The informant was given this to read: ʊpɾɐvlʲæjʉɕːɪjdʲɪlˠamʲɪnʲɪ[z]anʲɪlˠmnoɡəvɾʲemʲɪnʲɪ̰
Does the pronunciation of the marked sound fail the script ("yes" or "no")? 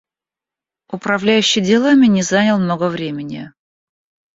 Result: no